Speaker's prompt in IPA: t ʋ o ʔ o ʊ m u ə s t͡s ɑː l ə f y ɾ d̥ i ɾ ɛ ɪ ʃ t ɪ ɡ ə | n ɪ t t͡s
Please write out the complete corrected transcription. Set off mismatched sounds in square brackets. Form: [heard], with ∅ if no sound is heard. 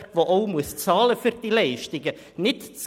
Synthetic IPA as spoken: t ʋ o ʔ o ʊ m u ə s t͡s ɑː l ə f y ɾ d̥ i [l] ɛ ɪ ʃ t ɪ ɡ ə | n ɪ t t͡s

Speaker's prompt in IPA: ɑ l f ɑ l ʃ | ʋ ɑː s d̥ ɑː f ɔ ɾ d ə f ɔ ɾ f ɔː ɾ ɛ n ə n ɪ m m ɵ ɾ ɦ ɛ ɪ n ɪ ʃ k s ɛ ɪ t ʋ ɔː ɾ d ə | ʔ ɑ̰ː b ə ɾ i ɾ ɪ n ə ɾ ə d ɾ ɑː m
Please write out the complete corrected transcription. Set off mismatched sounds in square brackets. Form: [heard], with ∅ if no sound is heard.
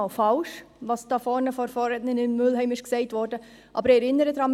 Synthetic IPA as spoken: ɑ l f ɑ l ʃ | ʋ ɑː s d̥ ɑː f ɔ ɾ [n] ə f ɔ ɾ f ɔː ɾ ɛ n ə n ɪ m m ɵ [l] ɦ ɛ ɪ [m] ɪ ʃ k s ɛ ɪ t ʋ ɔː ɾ d ə | ʔ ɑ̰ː b ə ɾ [ɛ] ɾ ɪ n ə ɾ ə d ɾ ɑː m

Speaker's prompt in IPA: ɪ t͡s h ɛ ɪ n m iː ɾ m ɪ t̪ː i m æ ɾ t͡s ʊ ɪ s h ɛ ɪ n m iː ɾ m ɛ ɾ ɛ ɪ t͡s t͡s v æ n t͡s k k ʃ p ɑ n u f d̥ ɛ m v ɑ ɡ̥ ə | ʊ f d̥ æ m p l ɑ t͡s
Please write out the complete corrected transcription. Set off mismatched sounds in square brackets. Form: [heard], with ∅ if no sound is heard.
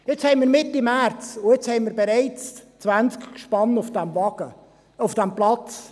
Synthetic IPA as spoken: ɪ t͡s h ɛ ɪ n m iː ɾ m ɪ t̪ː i m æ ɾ t͡s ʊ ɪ [t͡s] h ɛ ɪ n m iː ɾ [b] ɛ ɾ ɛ ɪ t͡s t͡s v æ n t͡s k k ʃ p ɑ n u f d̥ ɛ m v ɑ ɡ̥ ə | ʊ f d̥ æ m p l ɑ t͡s

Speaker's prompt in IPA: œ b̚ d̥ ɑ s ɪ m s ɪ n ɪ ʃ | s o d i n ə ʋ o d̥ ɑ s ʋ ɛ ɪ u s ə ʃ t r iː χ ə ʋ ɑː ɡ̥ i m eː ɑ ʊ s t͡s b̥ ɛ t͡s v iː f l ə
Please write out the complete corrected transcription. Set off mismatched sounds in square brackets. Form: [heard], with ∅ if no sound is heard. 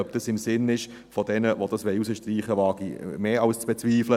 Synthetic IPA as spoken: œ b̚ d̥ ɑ s ɪ m s ɪ n ɪ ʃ | [f] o d [ɛ] n ə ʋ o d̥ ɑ s ʋ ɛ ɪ u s ə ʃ t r iː χ ə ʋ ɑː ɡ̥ i m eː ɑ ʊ s t͡s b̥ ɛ t͡s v iː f l ə

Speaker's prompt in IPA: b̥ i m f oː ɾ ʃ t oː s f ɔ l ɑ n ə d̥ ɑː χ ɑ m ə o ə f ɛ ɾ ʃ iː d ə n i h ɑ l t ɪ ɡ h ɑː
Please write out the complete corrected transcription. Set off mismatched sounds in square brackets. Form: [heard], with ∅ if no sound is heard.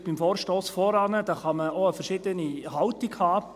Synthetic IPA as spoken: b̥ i m f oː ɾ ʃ t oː s f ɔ [ɾ] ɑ n ə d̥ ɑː χ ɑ m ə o ə f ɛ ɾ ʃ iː d ə n i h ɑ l t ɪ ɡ h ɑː

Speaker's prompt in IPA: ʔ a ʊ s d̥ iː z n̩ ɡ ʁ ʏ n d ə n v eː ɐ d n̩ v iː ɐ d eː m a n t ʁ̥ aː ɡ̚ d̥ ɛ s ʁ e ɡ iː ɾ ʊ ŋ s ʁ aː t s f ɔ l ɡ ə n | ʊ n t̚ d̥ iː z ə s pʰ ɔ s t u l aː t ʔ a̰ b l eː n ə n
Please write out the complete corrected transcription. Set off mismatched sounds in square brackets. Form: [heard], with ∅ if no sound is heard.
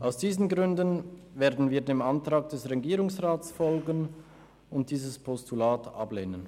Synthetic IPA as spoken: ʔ a ʊ s d̥ iː z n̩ ɡ ʁ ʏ n d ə n v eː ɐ d n̩ v iː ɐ d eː m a n t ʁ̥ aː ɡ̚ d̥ ɛ s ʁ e ɡ iː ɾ ʊ ŋ s ʁ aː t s f ɔ l ɡ ə n | ʊ n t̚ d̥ iː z ə s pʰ ɔ s t u l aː t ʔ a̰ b l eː n ə n

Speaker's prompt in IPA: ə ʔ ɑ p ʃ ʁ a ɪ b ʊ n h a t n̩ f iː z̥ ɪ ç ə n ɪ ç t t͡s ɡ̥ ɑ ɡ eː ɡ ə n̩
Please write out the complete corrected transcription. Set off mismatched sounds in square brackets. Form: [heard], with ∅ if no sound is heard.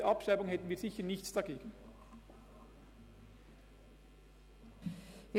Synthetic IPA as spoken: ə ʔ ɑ p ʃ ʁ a ɪ b ʊ [ŋ] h [ɛ] t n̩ [v] iː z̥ ɪ ç ə n ɪ ç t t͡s [d̥] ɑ ɡ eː ɡ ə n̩

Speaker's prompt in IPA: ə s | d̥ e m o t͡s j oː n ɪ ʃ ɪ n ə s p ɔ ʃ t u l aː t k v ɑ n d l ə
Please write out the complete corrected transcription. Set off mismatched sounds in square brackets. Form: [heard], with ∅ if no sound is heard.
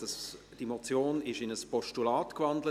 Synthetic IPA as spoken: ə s | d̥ [i] m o t͡s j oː n ɪ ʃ ɪ n ə s p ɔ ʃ t u l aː t k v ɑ n d l ə

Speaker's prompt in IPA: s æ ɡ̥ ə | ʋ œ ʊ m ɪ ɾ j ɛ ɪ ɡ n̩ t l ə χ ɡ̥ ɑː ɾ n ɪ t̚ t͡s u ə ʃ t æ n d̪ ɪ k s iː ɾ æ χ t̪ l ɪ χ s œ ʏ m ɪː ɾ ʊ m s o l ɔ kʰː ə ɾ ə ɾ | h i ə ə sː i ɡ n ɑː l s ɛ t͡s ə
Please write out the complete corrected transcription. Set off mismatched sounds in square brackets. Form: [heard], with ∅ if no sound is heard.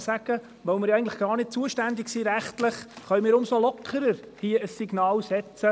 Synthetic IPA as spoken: s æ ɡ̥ ə | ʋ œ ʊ m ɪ ɾ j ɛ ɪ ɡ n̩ t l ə χ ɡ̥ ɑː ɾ n ɪ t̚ t͡s u ə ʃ t æ n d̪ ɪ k s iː ɾ æ χ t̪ l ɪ χ [χ] œ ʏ m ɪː ɾ ʊ m s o l ɔ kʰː ə ɾ ə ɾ | h i ə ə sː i ɡ n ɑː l s ɛ t͡s ə

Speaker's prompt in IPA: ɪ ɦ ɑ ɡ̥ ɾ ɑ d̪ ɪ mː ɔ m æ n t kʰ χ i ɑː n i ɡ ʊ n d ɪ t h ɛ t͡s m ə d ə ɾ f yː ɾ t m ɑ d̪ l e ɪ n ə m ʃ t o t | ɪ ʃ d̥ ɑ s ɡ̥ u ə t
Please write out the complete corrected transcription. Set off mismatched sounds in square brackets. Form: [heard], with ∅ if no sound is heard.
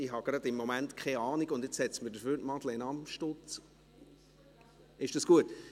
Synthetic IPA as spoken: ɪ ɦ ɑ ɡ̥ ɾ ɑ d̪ ɪ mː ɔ m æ n t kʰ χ [ɛ] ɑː n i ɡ ʊ n d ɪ [t͡s] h ɛ t͡s m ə d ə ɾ f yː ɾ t m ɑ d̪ l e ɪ n [ɑ] m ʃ t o [t͡s] | ɪ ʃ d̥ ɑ s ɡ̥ u ə t

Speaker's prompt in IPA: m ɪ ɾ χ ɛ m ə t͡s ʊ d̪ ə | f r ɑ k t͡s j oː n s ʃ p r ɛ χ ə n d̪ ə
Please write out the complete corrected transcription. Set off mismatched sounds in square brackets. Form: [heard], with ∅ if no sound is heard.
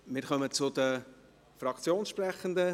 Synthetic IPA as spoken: m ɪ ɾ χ [œ] m ə t͡s ʊ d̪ ə | f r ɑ k t͡s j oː n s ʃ p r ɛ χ ə n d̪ ə

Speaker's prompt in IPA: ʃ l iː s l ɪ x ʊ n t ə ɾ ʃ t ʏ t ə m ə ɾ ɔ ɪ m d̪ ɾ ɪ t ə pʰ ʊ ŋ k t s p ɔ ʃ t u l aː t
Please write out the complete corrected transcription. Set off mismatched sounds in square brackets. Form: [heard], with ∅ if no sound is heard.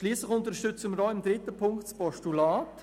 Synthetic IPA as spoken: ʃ l iː s l ɪ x ʊ n t ə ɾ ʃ t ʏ [t͡s] ə m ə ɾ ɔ ɪ m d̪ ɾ ɪ t ə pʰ ʊ ŋ k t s p ɔ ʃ t u l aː t

